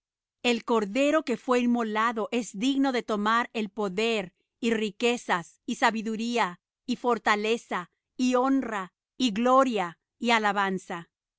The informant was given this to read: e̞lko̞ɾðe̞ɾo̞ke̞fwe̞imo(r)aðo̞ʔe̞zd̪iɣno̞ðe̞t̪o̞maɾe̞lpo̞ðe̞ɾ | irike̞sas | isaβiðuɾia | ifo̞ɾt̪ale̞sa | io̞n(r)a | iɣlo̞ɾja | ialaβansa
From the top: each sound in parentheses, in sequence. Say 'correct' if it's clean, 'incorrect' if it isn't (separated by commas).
incorrect, correct